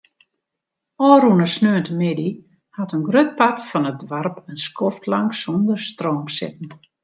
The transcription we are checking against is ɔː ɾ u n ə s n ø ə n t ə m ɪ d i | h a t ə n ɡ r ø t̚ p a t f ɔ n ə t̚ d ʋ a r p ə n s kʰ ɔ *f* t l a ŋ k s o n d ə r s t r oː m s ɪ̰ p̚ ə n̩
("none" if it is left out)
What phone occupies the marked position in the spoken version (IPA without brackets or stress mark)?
f